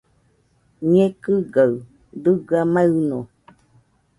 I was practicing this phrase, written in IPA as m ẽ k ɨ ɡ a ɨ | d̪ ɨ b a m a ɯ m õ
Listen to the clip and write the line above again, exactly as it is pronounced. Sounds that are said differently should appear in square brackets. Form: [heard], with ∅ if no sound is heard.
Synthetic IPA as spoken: [ɲ] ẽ k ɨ ɡ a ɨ | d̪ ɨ [ɡ] a m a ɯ [n] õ